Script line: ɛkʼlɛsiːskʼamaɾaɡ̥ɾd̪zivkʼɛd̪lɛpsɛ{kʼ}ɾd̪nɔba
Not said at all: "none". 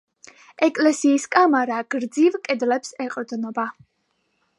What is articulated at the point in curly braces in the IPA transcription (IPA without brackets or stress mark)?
qʼ